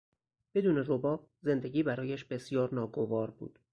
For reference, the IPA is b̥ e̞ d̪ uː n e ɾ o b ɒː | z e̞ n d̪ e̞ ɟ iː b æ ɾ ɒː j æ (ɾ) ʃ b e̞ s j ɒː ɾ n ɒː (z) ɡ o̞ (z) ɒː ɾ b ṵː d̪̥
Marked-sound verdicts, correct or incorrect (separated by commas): incorrect, incorrect, incorrect